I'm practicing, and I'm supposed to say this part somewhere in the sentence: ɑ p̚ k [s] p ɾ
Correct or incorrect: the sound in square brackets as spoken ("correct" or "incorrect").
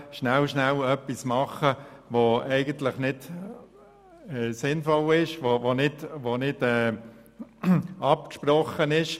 incorrect